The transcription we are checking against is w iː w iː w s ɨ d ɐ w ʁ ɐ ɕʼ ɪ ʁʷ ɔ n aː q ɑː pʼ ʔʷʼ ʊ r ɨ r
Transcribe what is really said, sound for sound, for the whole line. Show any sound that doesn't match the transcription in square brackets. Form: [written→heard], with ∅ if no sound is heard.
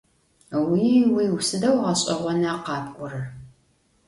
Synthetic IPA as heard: w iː w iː w s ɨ d ɐ w ʁ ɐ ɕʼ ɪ ʁʷ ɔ n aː q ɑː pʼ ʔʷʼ ʊ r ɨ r

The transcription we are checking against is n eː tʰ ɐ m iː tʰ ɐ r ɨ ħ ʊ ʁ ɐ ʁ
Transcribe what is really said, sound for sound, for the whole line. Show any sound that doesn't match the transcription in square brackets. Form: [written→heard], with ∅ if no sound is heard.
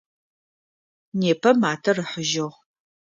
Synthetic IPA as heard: n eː [tʰ→pʰ] ɐ m [iː→aː] tʰ ɐ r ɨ ħ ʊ [ʁ→ʒ] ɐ ʁ

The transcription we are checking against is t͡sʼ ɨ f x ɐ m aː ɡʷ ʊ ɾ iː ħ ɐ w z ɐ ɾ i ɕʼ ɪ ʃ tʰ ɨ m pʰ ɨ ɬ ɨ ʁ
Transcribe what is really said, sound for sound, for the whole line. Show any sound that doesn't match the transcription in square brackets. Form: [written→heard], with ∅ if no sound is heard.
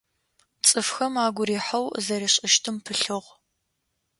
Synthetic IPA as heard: t͡sʼ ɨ f x ɐ m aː ɡʷ ʊ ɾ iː ħ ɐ w z ɐ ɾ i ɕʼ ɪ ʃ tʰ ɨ m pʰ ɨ ɬ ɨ ʁ

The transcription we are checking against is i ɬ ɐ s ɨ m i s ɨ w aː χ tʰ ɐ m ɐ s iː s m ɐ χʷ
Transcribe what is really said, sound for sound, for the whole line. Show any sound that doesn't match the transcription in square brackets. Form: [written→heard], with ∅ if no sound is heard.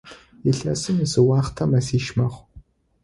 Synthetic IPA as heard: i ɬ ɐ s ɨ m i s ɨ w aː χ tʰ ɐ m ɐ s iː [s→ʃ] m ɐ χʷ

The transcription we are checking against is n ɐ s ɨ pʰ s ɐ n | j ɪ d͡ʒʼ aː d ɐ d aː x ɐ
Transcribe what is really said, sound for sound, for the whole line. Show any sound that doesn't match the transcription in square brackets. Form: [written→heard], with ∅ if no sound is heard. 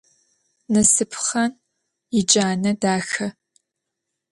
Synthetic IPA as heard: n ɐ s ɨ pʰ [s→χ] ɐ n | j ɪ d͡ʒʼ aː [d→n] ɐ d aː x ɐ

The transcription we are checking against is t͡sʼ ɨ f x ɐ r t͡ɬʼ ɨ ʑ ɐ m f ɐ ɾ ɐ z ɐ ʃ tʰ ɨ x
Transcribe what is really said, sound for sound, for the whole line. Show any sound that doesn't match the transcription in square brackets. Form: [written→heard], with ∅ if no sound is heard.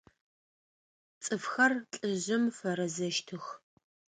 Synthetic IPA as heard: t͡sʼ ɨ f x ɐ r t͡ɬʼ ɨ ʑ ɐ m f ɐ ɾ ɐ z ɐ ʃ tʰ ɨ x

